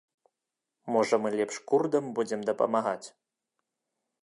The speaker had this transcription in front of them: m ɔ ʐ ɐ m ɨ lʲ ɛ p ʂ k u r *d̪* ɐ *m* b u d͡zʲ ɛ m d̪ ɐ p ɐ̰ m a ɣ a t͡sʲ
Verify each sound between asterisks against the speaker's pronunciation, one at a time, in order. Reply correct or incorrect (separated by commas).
correct, correct